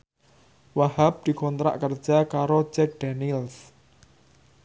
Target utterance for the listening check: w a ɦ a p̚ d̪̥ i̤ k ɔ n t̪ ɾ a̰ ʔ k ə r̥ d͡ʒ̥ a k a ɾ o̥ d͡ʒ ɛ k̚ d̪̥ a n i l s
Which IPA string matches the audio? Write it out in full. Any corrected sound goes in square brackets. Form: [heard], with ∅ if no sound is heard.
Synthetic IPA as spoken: w a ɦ a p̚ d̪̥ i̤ k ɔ n t̪ ɾ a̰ ʔ k ə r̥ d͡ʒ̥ a k a ɾ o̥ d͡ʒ ɛ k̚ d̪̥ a n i l s